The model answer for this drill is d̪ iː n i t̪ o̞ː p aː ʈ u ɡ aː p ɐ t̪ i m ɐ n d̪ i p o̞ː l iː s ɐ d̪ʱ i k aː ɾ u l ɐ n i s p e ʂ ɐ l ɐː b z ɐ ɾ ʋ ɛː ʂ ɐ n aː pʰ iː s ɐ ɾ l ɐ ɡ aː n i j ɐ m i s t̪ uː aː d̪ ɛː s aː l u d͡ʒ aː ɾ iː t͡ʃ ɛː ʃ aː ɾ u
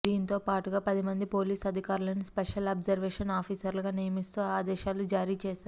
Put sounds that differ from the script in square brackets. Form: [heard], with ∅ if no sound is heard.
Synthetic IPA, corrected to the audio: d̪ iː n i t̪ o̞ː p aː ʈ u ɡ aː p ɐ [d̪] i m ɐ n d̪ i p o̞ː l iː s ɐ d̪ʱ i k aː ɾ u l ɐ n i s p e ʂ ɐ l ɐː b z ɐ ɾ ʋ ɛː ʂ ɐ n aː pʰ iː s ɐ ɾ l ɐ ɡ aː n i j ɐ m i s t̪ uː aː d̪ ɛː [ʃ] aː l u d͡ʒ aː ɾ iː t͡ʃ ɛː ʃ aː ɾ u

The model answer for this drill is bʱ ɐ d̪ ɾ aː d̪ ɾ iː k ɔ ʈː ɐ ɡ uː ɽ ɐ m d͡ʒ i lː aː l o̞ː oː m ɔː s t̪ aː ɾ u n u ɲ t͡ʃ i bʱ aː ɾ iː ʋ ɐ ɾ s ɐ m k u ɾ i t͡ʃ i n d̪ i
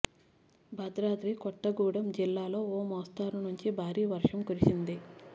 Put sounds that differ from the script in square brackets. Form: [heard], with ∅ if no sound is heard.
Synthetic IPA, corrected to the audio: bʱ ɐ d̪ ɾ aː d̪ ɾ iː k ɔ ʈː ɐ ɡ uː ɽ ɐ m d͡ʒ i lː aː l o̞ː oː m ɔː s t̪ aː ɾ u n u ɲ t͡ʃ i bʱ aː ɾ iː ʋ ɐ ɾ [ʂ] ɐ m k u ɾ i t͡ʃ i n d̪ i

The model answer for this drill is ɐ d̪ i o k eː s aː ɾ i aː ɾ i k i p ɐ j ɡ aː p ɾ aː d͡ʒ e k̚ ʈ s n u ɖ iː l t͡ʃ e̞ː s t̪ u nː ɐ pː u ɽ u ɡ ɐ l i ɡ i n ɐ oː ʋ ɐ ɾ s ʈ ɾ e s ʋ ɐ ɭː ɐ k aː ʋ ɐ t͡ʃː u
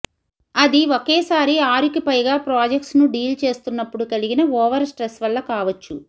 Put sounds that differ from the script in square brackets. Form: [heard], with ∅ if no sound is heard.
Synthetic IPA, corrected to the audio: ɐ d̪ i o k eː s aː ɾ i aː ɾ i k i p ɐ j ɡ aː p ɾ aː d͡ʒ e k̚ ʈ s n u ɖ iː l t͡ʃ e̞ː s t̪ u nː ɐ pː u ɽ u [k] ɐ l i ɡ i n ɐ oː ʋ ɐ ɾ s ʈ ɾ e s ʋ ɐ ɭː ɐ k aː ʋ ɐ t͡ʃː u

